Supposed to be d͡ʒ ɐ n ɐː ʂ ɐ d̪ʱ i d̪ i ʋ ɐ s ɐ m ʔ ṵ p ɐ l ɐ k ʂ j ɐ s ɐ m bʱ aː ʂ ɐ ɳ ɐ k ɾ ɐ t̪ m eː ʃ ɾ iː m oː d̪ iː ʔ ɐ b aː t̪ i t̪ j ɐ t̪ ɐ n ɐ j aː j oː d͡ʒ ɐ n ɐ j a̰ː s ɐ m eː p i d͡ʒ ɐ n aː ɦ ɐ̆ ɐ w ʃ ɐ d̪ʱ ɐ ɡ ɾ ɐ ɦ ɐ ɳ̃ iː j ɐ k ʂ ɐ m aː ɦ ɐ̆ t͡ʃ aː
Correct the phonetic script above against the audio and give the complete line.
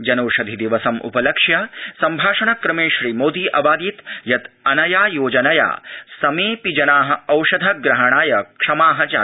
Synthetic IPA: d͡ʒ ɐ n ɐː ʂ ɐ d̪ʱ i d̪ i ʋ ɐ s ɐ m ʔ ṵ p ɐ l ɐ k ʂ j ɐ s ɐ m bʱ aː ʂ ɐ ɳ ɐ k ɾ ɐ m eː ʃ ɾ iː m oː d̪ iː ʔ ɐ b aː d̪ i t̪ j ɐ t̪ ɐ n ɐ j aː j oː d͡ʒ ɐ n ɐ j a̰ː s ɐ m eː p i d͡ʒ ɐ n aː ɦ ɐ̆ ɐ w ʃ ɐ d̪ʱ ɐ ɡ ɾ ɐ ɦ ɐ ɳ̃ aː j ɐ k ʂ ɐ m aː ɦ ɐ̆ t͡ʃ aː

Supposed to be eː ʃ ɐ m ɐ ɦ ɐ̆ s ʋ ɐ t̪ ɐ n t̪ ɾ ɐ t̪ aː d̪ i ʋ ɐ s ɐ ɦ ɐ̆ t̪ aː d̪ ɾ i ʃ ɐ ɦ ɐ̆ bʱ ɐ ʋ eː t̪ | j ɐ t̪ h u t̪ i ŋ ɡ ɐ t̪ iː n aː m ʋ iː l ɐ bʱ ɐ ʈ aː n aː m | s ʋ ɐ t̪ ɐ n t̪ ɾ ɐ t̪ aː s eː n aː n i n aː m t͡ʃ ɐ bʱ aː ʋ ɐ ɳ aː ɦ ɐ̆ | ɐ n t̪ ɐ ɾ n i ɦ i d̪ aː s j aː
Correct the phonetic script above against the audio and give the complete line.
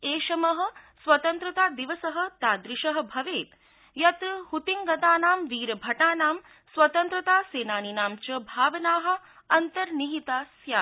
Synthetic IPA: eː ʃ ɐ m ɐ ɦ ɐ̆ s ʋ ɐ t̪ ɐ n t̪ ɾ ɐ t̪ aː d̪ i ʋ ɐ s ɐ ɦ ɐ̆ t̪ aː d̪ ɾ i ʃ ɐ ɦ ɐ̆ bʱ ɐ ʋ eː t̪ | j ɐ t̪ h u t̪ i ŋ ɡ ɐ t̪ aː n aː m ʋ iː ɾ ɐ bʱ ɐ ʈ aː n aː m | s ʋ ɐ t̪ ɐ n t̪ ɾ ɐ t̪ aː s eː n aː n i n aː m t͡ʃ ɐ bʱ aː ʋ ɐ n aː ɦ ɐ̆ | ɐ n t̪ ɐ ɾ n i ɦ i t̪ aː s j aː

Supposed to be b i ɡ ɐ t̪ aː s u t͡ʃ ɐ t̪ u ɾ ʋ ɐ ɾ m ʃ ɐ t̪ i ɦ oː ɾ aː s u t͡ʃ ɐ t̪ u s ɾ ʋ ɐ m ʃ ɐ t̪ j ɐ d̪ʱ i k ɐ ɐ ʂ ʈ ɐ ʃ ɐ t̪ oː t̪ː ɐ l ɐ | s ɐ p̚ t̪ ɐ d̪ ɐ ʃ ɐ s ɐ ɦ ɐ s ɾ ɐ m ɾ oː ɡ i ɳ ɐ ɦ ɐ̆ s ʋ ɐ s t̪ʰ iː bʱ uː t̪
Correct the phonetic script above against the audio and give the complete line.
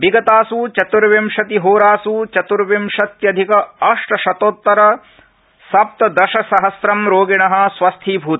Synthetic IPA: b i ɡ ɐ t̪ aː s u t͡ʃ ɐ t̪ u ɾ ʋ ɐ m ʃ ɐ t̪ i ɦ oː ɾ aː s u t͡ʃ ɐ t̪ u ɾ ʋ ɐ m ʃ ɐ t̪ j ɐ d̪ʱ i k ɐ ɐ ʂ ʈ ɐ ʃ ɐ t̪ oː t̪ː ɐ ɾ ɐ | s ɐ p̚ t̪ ɐ d̪ ɐ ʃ ɐ s ɐ ɦ ɐ s ɾ ɐ m ɾ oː ɡ i ɳ ɐ ɦ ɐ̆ s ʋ ɐ s t̪ʰ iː bʱ uː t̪

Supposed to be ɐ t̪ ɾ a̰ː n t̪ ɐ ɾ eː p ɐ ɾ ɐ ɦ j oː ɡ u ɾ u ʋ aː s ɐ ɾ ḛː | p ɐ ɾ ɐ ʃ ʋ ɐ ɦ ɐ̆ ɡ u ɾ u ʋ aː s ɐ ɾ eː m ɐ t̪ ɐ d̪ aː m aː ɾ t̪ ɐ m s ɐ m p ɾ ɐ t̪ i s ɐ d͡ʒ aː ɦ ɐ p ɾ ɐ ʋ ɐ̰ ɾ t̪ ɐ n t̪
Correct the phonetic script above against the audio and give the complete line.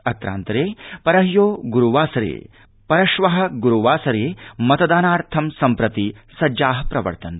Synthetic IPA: ɐ t̪ ɾ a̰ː n t̪ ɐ ɾ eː p ɐ ɾ ɐ ɦ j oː ɡ u ɾ u ʋ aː s ɐ ɾ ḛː | p ɐ ɾ ɐ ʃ ʋ ɐ ɦ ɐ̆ ɡ u ɾ u ʋ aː s ɐ ɾ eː m ɐ t̪ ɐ d̪ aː n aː ɾ t̪ʰ ɐ m s ɐ m p ɾ ɐ t̪ i s ɐ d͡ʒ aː ɦ ɐ p ɾ ɐ ʋ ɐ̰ ɾ t̪ ɐ n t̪

